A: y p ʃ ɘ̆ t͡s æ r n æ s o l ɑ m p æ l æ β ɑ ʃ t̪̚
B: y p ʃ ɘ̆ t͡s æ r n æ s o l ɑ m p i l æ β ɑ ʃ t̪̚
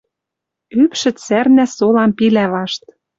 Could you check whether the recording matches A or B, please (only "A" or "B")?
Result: B